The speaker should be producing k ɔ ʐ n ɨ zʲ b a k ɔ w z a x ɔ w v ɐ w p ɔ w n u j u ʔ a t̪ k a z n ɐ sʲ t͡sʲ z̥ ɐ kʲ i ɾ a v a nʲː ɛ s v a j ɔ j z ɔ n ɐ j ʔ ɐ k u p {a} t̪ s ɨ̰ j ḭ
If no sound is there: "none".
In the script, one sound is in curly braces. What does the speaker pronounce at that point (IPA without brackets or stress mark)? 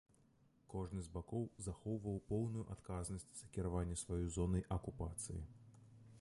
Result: a